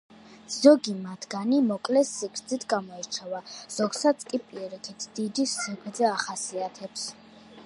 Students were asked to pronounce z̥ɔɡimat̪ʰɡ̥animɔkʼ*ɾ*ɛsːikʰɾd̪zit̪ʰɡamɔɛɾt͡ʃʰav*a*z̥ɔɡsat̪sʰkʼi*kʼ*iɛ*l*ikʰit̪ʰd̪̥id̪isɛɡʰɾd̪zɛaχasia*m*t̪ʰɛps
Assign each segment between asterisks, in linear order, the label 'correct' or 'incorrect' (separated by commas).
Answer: incorrect, correct, incorrect, incorrect, incorrect